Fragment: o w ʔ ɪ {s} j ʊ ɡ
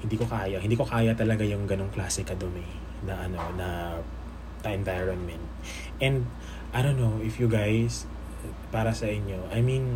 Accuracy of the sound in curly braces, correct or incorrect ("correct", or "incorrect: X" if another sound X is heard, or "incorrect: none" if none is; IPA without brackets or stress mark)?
incorrect: f